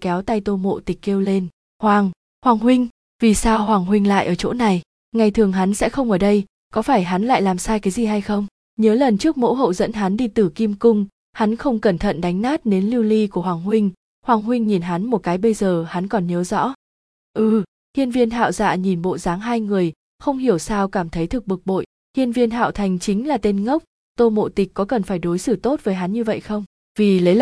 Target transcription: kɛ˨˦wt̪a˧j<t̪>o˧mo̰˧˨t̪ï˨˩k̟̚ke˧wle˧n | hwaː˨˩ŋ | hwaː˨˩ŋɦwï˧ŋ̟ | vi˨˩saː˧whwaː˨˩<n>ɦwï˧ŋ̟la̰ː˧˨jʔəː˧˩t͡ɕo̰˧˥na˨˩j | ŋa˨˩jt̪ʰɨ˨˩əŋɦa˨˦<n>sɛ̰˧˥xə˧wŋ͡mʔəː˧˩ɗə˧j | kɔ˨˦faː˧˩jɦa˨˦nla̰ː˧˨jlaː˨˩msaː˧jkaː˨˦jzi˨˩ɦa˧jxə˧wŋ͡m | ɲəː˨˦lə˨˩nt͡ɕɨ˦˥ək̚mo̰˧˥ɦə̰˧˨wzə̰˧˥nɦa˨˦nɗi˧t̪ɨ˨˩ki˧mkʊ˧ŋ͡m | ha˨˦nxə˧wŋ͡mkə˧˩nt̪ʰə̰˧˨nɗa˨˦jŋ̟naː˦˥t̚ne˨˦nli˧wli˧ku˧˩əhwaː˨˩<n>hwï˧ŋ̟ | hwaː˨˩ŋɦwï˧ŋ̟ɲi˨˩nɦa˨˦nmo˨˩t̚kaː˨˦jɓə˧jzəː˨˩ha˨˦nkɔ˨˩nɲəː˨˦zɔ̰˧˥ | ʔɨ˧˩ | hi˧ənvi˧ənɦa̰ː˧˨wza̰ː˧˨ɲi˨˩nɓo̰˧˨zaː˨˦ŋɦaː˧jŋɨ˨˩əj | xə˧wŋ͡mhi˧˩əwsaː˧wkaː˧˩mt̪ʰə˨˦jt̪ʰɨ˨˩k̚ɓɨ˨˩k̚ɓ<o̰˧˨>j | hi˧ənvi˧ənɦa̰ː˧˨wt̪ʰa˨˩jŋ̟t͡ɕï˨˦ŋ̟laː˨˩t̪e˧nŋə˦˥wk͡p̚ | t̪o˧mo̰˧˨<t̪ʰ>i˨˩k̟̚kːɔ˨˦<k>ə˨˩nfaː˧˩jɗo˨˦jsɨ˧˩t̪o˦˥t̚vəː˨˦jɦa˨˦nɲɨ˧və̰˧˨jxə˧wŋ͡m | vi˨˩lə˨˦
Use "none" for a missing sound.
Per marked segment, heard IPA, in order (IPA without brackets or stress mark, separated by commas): t̪, ŋ, n, ŋ, o̰˧˨, t̪, k